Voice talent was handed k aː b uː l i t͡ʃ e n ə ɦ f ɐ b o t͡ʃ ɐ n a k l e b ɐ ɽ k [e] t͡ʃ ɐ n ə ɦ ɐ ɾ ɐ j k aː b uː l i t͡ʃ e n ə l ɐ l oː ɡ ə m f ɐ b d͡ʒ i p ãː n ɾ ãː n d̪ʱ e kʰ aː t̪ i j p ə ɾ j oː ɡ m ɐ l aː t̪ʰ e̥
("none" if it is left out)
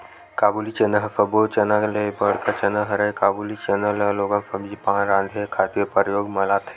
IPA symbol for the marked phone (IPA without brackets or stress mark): a